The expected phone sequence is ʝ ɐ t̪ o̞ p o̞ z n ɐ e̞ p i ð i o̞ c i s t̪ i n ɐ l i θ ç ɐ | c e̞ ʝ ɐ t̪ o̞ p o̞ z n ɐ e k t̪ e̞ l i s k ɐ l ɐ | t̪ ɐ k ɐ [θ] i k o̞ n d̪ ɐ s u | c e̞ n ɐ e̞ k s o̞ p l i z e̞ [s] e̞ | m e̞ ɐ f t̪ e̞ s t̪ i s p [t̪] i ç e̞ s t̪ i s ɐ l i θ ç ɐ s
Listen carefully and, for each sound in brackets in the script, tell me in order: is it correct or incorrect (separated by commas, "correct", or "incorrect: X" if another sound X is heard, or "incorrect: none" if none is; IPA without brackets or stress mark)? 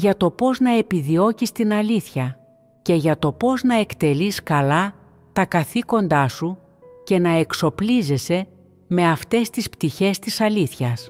correct, correct, correct